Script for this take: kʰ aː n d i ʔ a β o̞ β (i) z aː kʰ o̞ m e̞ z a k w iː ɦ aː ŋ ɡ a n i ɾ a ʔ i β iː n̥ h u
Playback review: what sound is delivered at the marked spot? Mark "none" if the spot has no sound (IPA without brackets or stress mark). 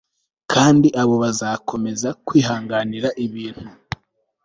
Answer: a